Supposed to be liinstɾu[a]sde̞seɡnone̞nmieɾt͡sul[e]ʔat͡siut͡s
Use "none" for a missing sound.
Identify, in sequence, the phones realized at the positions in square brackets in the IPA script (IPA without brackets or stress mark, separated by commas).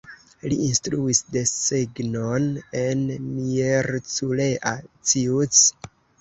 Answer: i, e